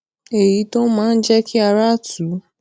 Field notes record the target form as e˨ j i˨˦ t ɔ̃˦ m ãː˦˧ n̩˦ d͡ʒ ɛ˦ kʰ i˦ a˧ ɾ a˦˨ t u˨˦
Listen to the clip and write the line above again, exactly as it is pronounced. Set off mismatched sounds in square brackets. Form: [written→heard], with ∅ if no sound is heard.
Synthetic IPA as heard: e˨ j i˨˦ t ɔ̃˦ m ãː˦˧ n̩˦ d͡ʒ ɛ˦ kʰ i˦ a˧ ɾ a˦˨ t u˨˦